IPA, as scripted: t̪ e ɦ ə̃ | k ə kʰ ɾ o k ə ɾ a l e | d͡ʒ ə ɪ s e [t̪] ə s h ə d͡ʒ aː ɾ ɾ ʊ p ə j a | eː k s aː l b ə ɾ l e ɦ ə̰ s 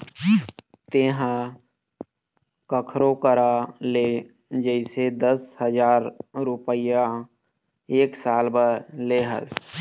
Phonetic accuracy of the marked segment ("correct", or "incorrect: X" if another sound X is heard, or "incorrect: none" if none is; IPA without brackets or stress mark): incorrect: d̪